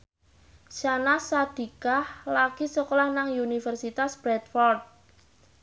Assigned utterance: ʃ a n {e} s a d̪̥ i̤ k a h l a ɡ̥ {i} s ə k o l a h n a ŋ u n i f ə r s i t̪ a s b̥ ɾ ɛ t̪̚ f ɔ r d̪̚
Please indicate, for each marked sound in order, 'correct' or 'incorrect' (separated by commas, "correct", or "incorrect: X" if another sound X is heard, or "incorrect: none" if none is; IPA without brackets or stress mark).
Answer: incorrect: a, correct